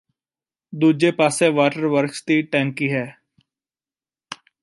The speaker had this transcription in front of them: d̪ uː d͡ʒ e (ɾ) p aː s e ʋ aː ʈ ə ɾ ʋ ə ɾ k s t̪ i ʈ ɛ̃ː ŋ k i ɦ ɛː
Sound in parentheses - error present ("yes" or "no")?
yes